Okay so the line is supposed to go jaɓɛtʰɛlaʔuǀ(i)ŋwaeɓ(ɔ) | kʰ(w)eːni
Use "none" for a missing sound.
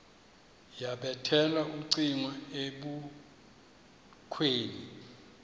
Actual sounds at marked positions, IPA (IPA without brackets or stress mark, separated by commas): i, u, w